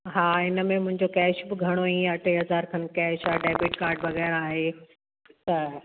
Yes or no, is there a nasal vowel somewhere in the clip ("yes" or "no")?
yes